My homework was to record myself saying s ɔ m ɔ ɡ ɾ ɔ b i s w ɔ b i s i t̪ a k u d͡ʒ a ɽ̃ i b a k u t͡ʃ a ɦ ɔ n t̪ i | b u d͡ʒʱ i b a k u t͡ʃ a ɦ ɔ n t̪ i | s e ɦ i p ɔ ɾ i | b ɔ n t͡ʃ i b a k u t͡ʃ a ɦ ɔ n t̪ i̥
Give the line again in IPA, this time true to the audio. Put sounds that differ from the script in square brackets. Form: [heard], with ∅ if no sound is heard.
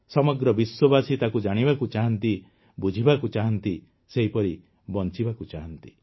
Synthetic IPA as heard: s ɔ m ɔ ɡ ɾ ɔ b i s w ɔ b [a] s i t̪ a k u d͡ʒ a ɽ̃ i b a k u t͡ʃ a ɦ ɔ n t̪ i | b u d͡ʒʱ i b a k u t͡ʃ a ɦ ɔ n t̪ i | s e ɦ i p ɔ ɾ i | b ɔ n t͡ʃ i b a k u t͡ʃ a ɦ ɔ n t̪ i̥